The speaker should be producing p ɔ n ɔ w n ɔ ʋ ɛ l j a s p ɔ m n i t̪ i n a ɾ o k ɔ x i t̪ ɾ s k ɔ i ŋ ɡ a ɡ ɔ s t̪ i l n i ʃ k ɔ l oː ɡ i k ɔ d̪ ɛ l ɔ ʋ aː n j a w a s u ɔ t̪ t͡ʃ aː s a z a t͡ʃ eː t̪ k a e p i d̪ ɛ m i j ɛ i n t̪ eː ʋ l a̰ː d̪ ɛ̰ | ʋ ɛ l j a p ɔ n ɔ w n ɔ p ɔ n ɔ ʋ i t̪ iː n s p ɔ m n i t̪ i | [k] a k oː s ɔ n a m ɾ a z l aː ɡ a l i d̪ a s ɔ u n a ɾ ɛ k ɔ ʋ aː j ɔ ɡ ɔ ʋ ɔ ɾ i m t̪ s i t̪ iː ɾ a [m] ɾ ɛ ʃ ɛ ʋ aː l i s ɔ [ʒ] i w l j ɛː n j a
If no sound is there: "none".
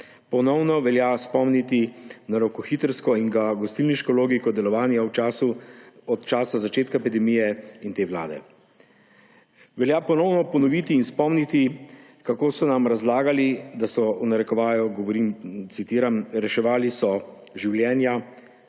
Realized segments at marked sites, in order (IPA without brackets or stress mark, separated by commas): k, m, ʒ